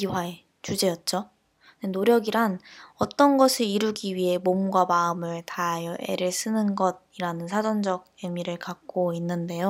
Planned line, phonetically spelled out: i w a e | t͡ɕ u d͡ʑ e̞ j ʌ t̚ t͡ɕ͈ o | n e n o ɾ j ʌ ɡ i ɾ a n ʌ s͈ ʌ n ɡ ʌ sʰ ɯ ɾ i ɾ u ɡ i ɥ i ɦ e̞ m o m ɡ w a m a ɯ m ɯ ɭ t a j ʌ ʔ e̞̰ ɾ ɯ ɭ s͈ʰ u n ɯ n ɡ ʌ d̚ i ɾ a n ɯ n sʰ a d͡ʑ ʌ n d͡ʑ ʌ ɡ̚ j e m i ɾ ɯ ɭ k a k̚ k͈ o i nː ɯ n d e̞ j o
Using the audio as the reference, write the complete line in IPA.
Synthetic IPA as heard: i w a e | t͡ɕ u d͡ʑ e̞ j ʌ t̚ t͡ɕ͈ o | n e n o ɾ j ʌ ɡ i ɾ a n ʌ t͈ ʌ n ɡ ʌ sʰ ɯ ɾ i ɾ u ɡ i ɥ i ɦ e̞ m o m ɡ w a m a ɯ m ɯ ɭ t a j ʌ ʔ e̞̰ ɾ ɯ ɭ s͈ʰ ɯ n ɯ n ɡ ʌ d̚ i ɾ a n ɯ n sʰ a d͡ʑ ʌ n d͡ʑ ʌ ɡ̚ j e m i ɾ ɯ ɭ k a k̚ k͈ o i nː ɯ n d e̞ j o